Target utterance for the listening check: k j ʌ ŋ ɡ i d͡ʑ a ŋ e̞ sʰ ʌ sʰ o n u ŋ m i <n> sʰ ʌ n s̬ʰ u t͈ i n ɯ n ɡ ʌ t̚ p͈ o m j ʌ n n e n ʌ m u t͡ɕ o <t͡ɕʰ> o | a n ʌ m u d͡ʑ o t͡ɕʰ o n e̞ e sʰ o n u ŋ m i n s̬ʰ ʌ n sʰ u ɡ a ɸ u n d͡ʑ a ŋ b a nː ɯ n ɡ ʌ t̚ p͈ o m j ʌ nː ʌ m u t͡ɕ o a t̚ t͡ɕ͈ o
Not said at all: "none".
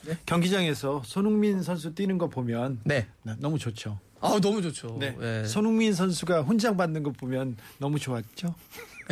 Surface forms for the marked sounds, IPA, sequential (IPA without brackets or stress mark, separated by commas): n, t͡ɕʰ